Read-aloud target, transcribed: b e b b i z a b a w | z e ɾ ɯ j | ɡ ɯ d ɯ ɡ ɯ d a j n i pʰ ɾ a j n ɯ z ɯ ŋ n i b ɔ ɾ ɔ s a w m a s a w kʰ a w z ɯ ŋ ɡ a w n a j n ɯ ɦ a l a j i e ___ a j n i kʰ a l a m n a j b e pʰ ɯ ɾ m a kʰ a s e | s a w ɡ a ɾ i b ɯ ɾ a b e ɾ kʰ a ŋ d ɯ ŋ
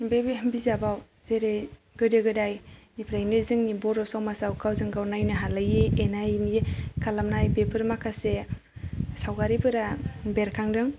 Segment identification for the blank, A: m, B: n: B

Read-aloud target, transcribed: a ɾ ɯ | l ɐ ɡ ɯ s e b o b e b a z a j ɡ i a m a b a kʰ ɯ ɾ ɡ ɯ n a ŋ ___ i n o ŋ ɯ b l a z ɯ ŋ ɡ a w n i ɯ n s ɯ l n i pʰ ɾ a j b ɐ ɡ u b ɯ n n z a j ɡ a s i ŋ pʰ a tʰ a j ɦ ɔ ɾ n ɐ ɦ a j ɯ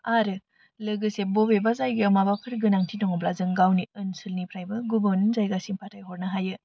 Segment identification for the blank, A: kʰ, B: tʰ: B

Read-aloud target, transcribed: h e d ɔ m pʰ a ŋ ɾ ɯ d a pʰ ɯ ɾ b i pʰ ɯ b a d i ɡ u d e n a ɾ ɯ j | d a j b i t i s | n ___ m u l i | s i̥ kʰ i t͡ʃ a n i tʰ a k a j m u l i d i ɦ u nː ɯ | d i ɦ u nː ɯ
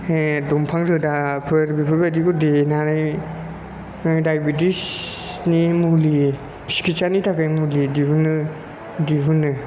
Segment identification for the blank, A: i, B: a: A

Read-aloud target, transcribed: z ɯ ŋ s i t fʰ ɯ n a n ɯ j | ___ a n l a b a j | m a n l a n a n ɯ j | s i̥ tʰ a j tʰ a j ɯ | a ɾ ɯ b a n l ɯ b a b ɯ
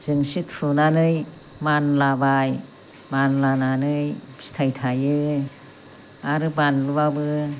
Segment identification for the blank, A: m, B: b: A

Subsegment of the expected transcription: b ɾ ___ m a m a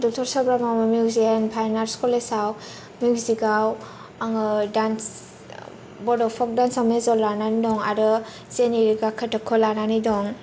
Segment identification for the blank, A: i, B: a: B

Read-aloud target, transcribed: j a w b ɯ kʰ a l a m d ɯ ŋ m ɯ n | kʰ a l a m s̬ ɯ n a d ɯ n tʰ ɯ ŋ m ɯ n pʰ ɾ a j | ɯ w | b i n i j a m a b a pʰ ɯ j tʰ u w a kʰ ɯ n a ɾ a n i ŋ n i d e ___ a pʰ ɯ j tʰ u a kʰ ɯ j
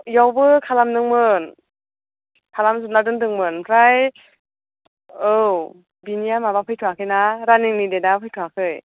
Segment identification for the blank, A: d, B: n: A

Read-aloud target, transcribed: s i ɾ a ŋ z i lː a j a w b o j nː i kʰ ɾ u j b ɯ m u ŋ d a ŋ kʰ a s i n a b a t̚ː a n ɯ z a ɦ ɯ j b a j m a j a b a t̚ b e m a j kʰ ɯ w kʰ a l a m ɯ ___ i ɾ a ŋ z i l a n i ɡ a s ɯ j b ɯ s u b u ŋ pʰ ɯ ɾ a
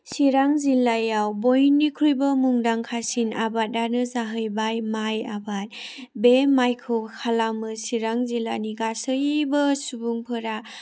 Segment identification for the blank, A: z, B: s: B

